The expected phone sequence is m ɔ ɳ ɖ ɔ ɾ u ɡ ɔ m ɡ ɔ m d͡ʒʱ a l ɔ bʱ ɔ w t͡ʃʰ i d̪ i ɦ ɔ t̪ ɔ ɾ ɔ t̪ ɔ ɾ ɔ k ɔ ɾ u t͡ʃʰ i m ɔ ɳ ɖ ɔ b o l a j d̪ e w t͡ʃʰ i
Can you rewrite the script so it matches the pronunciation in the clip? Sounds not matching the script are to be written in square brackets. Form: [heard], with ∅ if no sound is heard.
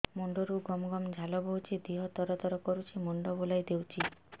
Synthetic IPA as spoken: m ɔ ɳ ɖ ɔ ɾ u ɡ ɔ m ɡ ɔ m d͡ʒʱ a l ɔ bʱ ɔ w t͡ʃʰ i d̪ i ɦ ɔ t̪ ɔ ɾ ɔ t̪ ɔ ɾ ɔ k ɔ ɾ u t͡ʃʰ i m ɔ ɳ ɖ ɔ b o l a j d̪ e w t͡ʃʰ i